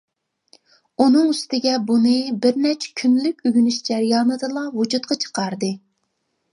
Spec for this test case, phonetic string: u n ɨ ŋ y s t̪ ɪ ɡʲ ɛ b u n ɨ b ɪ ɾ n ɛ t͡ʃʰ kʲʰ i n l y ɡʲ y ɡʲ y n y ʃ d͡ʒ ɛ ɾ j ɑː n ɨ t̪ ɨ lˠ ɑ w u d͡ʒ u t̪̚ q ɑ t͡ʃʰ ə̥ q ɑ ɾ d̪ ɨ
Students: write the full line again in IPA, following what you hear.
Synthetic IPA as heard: u n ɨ ŋ y s t̪ ɪ ɡʲ ɛ b u n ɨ b ɪ ɾ n ɛ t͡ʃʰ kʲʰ y n l y kʲ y ɡʲ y n y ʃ d͡ʒ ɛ ɾ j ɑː n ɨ d̪ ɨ lˠ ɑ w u d͡ʒ u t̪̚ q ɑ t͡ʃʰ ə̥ q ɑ ɾ d̪ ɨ

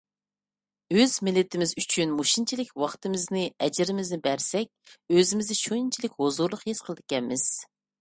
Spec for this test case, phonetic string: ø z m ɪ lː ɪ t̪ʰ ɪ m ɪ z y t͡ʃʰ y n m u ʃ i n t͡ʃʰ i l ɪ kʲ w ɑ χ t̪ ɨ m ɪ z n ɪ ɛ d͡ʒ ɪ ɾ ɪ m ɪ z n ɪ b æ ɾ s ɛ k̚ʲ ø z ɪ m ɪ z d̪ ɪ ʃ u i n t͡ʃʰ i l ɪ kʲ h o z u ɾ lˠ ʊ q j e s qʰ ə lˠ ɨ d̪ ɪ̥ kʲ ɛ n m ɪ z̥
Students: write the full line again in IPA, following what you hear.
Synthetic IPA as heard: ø z m ɪ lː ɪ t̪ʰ ɪ m ɪ z y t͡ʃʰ y n m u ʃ i n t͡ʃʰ i l ɪ kʲ w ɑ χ t̪ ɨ m ɪ z n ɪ ɛ d͡ʒ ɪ ɾ ɪ m ɪ z n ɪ b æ ɾ s ɛ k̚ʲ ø z ɪ m ɪ z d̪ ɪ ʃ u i n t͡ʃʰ i l ɪ kʲ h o z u ɾ lˠ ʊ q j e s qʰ ə lˠ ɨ d̪ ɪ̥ kʲ ɛ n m ɪ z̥

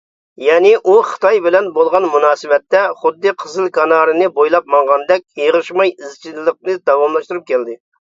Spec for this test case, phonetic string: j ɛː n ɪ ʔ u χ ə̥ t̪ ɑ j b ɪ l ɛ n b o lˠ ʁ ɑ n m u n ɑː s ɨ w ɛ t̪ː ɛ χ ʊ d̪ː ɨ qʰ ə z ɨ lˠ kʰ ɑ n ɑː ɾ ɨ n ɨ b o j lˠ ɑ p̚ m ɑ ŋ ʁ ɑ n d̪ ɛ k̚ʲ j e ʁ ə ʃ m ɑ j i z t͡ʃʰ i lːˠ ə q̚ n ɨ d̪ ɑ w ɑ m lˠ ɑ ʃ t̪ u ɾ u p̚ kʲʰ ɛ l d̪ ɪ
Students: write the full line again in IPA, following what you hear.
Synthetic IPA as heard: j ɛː n ɪ ʔ u χ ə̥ t̪ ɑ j b ɪ l ɛ n b o lˠ ʁ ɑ n m u n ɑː s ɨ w ɛ t̪ː ɛ χ ʊ d̪ː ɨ qʰ ə z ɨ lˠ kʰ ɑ n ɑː ɾ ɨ n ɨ b o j lˠ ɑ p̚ m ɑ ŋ ʁ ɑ n d̪ ɛ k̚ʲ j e ʁ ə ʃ m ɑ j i z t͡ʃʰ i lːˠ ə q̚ n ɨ d̪ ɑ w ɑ m lˠ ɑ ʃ t̪ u ɾ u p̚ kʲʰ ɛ l d̪ ɪ

